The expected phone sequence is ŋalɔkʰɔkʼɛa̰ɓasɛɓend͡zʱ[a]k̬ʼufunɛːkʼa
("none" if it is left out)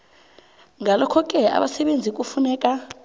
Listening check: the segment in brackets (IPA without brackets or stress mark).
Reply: i